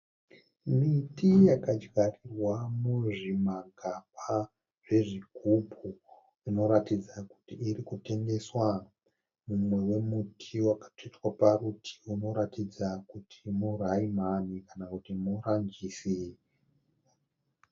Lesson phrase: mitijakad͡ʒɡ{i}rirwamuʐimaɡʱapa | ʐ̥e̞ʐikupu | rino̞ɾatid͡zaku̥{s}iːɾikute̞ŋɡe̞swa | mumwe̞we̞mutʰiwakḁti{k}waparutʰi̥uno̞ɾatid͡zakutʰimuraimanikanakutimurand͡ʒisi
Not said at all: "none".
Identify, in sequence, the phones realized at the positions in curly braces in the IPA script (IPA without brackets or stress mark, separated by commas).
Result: a, t, t